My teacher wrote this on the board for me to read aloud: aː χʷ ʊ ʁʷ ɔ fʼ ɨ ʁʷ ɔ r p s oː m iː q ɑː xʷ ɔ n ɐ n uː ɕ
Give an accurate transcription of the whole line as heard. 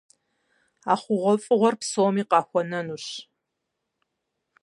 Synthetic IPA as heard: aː χʷ ʊ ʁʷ ɔ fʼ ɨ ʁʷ ɔ r p s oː m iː q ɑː xʷ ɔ n ɐ n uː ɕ